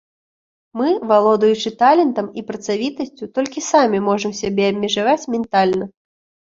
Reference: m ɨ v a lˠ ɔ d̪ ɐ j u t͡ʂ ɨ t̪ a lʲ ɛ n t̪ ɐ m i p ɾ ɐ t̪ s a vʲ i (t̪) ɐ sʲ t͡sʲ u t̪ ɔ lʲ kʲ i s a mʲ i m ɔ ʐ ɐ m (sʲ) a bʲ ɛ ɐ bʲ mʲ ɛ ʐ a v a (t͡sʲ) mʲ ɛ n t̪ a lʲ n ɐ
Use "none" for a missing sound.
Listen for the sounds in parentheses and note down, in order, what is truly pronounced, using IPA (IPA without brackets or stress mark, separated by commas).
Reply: t̪, sʲ, t͡sʲ